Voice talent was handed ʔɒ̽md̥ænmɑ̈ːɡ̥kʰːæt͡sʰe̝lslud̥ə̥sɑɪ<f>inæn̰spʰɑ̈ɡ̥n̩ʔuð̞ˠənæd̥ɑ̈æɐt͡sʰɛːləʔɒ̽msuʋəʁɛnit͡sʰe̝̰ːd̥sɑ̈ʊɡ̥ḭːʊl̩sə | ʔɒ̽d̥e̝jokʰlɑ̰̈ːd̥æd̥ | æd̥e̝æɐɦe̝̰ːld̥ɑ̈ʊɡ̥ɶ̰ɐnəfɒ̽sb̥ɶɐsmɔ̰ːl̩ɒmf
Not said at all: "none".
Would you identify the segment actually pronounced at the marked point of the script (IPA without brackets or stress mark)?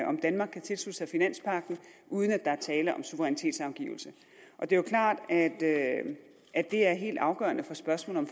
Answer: f